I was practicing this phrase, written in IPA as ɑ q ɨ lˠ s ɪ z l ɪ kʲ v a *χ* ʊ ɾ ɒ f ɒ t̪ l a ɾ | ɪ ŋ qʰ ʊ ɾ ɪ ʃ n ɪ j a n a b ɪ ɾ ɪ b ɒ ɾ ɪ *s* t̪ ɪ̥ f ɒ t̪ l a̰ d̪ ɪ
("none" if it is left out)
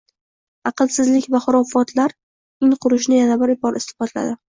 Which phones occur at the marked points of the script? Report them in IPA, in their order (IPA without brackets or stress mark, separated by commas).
χ, s